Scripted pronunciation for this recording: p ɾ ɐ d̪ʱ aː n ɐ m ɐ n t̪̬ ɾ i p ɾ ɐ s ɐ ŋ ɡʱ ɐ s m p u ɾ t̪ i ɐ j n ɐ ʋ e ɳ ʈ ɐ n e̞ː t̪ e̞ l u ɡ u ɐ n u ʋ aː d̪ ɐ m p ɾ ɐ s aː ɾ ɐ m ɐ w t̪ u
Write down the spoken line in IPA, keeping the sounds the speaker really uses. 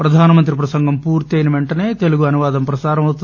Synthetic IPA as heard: p ɾ ɐ d̪ʱ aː n ɐ m ɐ n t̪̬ ɾ i p ɾ ɐ s ɐ ŋ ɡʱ ɐ m p uː ɾ t̪ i ɐ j n ɐ ʋ e ɳ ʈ ɐ n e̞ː t̪ e̞ l u ɡ u ɐ n u ʋ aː d̪ ɐ m p ɾ ɐ s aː ɾ ɐ m ɐ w t̪ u